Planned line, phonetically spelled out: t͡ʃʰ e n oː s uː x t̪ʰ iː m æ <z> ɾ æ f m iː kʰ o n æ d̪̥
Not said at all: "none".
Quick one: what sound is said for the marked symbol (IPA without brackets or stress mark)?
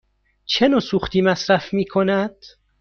s